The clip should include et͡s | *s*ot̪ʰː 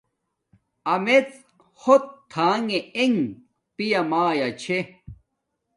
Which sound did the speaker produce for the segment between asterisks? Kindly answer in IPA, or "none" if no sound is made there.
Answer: h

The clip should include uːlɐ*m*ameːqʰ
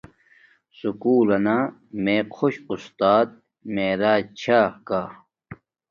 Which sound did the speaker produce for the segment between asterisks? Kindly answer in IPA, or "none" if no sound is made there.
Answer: n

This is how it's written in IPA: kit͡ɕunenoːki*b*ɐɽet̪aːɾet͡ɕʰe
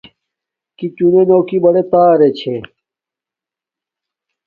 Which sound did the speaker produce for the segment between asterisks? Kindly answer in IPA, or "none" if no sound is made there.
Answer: b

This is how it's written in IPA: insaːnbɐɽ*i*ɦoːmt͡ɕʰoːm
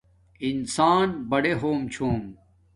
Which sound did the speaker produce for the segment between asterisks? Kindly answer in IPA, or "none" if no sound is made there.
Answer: e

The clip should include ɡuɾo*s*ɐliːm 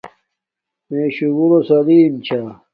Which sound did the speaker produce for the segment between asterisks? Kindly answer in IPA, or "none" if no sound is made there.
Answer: s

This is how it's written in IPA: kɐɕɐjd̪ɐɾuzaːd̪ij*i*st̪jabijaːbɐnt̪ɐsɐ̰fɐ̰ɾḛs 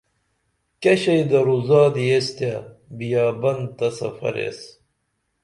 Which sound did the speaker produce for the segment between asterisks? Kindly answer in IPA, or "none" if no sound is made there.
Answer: e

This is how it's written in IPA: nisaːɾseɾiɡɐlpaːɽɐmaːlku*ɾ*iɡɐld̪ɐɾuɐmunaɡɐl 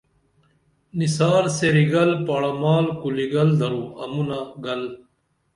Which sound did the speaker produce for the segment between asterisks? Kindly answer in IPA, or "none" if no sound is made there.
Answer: l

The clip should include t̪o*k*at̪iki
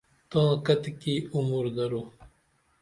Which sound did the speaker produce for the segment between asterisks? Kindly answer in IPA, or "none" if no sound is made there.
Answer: k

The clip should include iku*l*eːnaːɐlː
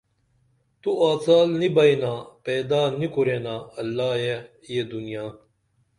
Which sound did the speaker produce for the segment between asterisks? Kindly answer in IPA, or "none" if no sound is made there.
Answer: ɾ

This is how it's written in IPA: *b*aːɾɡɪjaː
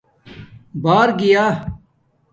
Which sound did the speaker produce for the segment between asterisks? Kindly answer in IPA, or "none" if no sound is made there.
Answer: b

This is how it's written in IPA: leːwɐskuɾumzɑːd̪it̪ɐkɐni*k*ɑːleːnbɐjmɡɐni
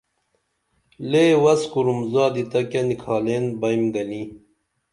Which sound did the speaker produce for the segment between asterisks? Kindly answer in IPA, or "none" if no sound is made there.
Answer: kʰ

